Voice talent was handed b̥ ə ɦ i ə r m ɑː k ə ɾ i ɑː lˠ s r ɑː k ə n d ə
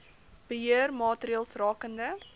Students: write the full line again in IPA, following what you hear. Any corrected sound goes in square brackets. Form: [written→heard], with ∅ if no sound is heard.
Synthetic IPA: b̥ ə ɦ i ə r m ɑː [k→t] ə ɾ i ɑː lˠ s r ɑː k ə n d ə